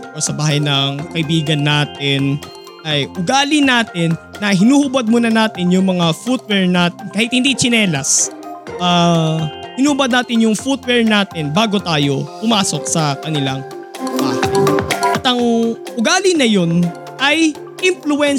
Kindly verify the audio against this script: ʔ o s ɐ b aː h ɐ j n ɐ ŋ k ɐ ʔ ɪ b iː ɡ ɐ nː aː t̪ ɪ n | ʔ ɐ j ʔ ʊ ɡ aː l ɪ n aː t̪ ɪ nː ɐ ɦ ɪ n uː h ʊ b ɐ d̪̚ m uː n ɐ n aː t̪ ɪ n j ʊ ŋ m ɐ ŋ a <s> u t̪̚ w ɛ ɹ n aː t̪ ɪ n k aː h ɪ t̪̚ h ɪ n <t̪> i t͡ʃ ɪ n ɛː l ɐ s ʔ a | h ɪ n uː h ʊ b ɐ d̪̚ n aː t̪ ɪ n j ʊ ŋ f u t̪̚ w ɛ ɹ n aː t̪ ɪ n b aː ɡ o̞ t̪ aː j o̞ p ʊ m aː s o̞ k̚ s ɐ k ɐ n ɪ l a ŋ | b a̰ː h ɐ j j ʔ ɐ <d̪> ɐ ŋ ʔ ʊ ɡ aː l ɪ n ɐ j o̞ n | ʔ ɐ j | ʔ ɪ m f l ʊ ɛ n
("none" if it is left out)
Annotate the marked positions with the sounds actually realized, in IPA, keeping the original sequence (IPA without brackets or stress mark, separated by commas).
f, d̪, t̪